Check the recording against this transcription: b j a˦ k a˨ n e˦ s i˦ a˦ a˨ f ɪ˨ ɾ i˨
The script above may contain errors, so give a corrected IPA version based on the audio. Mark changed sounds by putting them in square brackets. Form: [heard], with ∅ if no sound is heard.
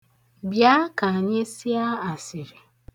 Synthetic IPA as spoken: b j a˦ k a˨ [ɲ] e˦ s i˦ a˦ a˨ [s] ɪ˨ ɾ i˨